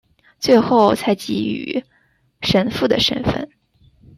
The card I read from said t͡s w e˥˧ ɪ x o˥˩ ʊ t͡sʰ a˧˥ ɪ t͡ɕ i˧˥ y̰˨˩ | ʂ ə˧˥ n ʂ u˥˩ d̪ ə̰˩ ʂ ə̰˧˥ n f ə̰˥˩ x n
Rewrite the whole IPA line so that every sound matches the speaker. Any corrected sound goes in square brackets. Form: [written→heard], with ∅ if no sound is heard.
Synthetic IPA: t͡s w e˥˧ ɪ x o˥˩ ʊ t͡sʰ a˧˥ ɪ t͡ɕ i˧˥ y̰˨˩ | ʂ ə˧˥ n [ʂ→f] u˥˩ d̪ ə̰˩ ʂ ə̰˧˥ n f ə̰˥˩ [x→∅] n